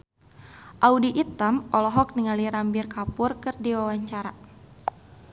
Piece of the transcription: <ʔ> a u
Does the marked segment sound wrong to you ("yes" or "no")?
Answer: no